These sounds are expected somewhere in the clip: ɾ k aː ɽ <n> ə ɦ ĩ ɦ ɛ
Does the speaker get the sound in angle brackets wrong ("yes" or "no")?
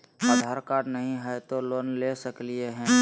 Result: no